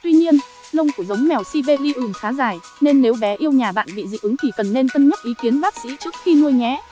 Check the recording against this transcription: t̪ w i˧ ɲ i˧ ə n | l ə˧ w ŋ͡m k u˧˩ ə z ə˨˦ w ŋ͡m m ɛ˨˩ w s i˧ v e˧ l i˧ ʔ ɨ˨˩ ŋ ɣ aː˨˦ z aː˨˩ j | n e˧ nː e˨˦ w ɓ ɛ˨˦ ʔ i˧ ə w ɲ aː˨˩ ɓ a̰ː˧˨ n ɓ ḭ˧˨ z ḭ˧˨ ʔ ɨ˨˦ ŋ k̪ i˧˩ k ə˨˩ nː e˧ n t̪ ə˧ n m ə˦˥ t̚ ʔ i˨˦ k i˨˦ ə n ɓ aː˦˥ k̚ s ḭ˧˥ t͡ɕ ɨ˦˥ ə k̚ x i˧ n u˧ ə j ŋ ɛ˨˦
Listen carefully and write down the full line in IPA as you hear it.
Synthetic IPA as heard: t̪ w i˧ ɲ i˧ ə n | l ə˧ w ŋ͡m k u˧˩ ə z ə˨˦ w ŋ͡m m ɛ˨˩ w s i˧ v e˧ l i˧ ʔ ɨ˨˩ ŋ x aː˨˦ z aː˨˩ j | n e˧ nː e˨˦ w ɓ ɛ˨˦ ʔ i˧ ə w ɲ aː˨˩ ɓ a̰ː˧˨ n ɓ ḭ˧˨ z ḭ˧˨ ʔ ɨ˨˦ ŋ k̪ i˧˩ k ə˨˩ nː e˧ n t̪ ə˧ n ɲ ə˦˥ t̚ ʔ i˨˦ k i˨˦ ə n ɓ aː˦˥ k̚ s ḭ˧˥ t͡ɕ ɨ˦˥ ə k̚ x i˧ n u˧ ə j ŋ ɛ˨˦